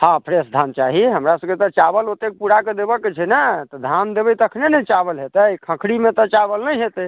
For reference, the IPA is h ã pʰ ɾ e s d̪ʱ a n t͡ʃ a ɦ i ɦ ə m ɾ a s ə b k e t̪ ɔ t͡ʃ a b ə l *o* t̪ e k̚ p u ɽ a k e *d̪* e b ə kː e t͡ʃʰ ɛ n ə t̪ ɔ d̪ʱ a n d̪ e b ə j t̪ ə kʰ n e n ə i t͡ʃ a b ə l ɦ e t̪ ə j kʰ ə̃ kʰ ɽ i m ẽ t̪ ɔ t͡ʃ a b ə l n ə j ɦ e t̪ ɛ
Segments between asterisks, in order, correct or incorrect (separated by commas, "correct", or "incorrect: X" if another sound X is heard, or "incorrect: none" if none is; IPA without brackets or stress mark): correct, correct